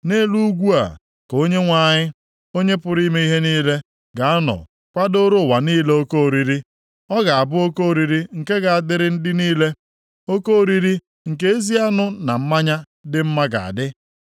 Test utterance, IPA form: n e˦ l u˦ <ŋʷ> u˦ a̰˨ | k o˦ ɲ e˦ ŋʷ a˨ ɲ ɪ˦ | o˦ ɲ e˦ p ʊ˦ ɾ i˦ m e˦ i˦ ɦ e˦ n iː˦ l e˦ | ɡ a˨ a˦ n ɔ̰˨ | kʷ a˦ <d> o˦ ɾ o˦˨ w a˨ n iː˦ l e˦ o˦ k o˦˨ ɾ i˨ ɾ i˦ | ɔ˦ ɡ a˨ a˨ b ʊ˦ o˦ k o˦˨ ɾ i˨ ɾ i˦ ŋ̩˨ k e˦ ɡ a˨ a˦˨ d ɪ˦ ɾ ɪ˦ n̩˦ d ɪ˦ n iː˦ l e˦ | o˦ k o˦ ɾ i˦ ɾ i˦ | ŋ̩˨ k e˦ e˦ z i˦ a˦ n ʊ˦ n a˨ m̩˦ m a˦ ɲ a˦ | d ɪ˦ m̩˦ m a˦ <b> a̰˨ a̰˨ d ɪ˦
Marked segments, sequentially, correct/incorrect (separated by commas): incorrect, correct, incorrect